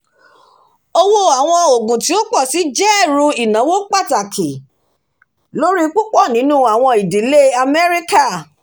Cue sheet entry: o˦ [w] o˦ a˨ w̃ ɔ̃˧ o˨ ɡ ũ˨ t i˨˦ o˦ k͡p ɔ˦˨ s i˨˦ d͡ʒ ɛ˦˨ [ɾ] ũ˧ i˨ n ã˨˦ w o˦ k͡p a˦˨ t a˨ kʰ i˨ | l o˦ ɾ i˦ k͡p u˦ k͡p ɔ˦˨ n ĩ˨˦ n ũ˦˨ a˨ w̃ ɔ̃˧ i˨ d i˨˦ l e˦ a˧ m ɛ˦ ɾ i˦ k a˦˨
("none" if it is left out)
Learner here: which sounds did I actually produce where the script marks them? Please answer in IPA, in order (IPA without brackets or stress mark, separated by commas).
w, ɾ